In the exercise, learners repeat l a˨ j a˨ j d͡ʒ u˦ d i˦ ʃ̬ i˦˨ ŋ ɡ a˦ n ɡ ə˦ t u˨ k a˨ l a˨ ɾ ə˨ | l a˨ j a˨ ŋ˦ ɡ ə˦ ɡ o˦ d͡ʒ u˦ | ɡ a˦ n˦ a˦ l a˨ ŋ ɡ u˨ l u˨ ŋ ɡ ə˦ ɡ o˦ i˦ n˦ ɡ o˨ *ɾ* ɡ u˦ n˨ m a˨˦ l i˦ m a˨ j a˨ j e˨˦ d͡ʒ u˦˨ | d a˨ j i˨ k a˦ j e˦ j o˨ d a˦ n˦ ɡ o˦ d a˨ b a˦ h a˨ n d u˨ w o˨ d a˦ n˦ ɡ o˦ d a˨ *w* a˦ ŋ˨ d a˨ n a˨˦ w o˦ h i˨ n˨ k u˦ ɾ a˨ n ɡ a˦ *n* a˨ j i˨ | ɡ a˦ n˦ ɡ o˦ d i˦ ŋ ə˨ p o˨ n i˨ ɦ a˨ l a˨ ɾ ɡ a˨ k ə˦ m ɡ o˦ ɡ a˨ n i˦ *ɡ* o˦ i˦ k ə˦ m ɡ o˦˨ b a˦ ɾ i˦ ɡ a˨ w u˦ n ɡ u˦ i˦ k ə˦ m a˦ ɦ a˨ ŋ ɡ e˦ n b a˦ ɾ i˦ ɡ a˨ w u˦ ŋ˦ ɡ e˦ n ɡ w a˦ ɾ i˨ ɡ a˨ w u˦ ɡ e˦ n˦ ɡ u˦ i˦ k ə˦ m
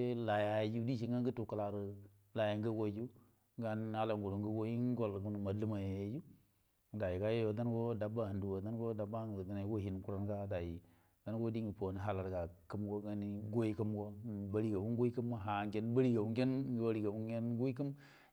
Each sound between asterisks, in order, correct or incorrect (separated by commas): incorrect, incorrect, incorrect, correct